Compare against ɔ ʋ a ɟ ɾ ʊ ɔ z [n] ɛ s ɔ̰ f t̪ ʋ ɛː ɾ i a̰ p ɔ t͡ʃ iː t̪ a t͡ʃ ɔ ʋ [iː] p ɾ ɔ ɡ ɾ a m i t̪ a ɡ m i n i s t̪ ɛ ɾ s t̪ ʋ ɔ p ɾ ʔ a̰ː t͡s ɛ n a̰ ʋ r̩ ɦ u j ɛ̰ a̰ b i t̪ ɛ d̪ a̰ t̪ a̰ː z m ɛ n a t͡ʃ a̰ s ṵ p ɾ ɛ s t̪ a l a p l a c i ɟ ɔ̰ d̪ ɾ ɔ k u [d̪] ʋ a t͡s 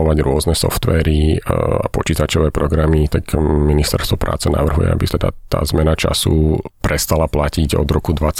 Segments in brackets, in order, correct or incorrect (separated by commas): correct, incorrect, correct